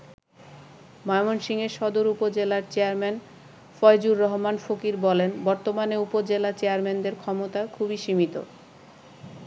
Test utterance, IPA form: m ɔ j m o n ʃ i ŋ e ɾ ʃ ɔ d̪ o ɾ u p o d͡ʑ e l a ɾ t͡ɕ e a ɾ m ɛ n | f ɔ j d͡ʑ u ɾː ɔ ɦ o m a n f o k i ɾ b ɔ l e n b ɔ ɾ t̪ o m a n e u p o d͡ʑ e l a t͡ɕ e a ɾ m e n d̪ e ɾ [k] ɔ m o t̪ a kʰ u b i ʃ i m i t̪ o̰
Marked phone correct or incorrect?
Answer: incorrect